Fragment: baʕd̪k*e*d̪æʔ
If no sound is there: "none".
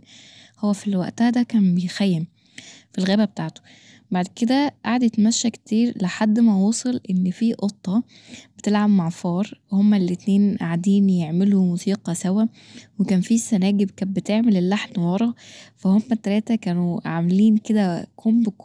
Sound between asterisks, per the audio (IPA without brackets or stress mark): e